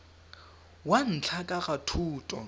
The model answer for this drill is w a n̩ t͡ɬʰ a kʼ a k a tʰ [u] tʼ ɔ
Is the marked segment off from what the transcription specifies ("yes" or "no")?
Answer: yes